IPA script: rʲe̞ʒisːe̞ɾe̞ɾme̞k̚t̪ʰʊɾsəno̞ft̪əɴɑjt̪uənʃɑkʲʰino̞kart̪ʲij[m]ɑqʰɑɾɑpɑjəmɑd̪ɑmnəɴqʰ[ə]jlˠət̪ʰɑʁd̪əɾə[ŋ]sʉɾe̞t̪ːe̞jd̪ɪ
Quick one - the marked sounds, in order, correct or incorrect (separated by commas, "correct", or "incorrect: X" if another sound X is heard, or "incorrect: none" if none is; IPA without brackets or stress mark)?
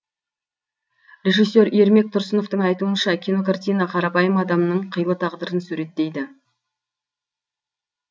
incorrect: n, correct, incorrect: n